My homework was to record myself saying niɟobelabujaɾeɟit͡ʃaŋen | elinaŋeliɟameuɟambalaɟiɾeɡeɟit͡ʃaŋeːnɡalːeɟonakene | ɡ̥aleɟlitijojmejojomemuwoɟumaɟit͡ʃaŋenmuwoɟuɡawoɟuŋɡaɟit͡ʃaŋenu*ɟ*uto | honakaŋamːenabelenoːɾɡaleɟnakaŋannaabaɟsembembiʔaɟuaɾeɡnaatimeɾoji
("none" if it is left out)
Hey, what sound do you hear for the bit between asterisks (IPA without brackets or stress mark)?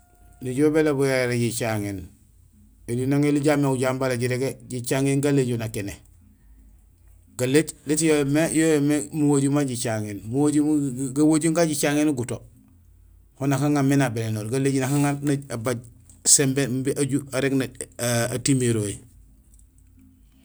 ɡ